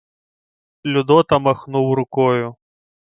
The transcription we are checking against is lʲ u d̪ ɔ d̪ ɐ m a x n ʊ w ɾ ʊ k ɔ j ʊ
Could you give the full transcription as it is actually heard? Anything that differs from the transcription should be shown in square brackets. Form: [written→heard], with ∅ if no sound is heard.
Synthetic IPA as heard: lʲ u d̪ ɔ [d̪→t̪] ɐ m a x n [ʊ→u] w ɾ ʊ k ɔ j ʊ